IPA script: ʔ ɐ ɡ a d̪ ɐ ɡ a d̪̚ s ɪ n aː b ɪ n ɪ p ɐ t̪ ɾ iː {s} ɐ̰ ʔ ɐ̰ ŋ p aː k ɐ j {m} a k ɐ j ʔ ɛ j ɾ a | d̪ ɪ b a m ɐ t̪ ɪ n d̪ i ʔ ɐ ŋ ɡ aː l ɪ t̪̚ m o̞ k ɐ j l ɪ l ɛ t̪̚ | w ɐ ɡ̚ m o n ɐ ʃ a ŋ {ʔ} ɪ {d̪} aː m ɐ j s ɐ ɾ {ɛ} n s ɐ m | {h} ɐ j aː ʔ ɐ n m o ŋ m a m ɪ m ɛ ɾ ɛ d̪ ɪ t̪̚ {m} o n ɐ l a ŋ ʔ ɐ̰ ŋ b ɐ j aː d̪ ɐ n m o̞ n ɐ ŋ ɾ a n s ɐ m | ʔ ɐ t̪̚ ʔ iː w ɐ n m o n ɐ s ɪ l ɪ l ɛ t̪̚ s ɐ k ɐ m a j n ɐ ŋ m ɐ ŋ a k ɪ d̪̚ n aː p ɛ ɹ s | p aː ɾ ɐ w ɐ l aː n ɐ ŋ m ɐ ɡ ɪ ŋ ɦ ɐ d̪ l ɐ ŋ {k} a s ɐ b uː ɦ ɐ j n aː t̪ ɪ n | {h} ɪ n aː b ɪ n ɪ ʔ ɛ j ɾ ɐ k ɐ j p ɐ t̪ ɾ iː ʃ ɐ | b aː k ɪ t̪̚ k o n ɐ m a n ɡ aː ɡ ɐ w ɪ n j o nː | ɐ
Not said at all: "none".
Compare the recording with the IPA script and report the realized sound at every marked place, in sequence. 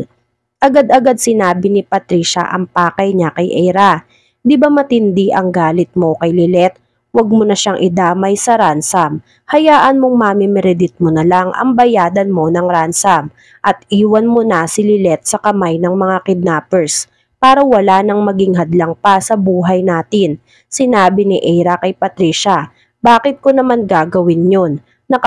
ʃ, ɲ, ʔ, d̪, a, h, m, p, s

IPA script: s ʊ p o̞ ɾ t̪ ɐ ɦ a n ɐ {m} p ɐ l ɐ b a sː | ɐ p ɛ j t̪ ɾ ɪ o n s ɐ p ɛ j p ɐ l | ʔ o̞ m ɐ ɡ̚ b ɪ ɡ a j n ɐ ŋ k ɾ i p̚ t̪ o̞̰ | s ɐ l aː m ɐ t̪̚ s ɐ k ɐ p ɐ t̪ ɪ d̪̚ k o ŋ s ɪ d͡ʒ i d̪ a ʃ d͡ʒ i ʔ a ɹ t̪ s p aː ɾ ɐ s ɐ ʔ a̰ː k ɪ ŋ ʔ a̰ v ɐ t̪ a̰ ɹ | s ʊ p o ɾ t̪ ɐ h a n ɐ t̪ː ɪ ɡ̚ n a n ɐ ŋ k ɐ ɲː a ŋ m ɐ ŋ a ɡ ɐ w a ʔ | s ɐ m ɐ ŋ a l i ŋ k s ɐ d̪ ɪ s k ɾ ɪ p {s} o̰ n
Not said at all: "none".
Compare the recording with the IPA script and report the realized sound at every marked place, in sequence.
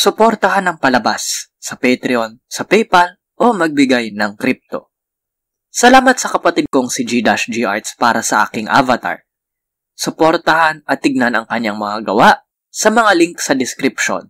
ŋ, ʃ

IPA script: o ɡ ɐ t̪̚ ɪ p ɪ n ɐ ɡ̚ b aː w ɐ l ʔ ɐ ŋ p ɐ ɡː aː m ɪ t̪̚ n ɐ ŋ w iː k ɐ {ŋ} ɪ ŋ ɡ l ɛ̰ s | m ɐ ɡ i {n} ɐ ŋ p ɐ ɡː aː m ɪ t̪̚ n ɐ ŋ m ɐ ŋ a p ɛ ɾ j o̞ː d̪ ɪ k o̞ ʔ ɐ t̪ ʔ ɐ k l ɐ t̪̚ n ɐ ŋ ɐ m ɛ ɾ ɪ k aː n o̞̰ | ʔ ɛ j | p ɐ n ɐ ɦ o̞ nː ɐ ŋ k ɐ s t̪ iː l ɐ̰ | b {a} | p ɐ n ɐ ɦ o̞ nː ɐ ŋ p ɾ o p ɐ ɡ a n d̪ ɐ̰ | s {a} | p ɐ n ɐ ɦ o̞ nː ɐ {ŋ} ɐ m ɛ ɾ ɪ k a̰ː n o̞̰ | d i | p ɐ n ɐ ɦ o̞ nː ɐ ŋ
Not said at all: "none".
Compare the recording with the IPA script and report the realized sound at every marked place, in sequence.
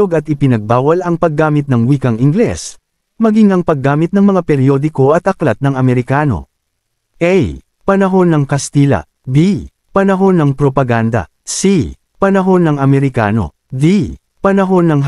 ŋ, ŋ, i, i, ŋ

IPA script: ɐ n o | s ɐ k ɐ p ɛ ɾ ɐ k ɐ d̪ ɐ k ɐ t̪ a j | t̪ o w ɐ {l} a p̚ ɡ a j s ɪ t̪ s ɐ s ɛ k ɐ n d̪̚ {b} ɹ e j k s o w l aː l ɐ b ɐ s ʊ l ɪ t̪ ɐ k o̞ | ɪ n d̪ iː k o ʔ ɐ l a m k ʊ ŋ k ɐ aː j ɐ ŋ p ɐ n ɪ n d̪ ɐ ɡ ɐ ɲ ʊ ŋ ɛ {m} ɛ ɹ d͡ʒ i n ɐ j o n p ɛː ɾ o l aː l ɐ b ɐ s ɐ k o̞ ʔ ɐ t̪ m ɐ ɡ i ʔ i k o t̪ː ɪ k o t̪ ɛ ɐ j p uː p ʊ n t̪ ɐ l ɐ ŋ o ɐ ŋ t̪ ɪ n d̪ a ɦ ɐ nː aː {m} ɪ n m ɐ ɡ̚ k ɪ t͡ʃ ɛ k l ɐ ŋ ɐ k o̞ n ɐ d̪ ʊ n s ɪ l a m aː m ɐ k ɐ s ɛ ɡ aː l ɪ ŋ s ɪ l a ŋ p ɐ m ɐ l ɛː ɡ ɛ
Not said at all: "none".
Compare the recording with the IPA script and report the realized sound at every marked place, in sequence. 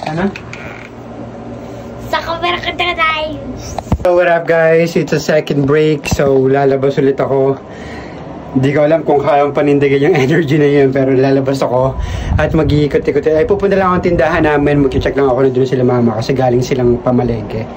ɾ, b, n, m

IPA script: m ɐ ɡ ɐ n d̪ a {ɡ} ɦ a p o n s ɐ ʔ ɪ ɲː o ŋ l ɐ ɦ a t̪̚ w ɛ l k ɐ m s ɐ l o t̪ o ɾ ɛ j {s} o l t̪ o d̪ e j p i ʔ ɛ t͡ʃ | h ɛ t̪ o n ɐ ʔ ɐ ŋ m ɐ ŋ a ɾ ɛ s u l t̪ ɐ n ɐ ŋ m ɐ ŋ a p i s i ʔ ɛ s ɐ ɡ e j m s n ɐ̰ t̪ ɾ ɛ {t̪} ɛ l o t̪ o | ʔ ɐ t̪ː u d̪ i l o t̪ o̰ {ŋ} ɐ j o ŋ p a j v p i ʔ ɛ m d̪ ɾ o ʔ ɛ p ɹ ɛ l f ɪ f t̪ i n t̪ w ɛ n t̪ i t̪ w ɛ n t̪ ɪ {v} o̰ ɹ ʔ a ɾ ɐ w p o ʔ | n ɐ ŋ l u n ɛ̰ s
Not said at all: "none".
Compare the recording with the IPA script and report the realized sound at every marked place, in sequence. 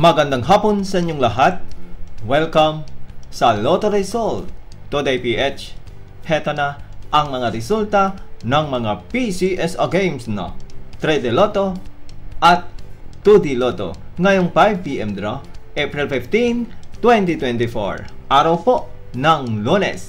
ŋ, s, d̪, ŋ, f

